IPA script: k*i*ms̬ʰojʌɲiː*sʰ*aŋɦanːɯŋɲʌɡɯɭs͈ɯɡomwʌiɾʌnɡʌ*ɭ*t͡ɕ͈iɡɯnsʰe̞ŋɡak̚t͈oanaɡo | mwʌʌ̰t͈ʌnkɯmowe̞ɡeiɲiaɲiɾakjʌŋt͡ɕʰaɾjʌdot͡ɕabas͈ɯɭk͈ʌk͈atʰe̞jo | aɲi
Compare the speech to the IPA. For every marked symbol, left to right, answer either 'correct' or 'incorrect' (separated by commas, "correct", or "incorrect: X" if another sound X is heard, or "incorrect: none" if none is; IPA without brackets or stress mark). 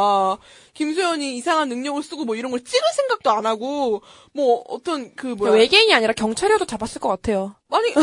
correct, correct, correct